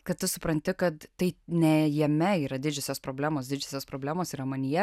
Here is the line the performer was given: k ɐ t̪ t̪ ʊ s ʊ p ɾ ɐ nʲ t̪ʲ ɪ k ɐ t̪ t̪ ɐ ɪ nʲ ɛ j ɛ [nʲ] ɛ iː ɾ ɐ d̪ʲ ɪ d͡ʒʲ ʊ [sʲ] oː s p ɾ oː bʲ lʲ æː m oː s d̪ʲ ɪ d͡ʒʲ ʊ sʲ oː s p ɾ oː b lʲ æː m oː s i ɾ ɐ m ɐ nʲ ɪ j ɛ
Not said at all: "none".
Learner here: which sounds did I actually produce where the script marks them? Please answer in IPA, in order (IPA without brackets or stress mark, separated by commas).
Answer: mʲ, sʲ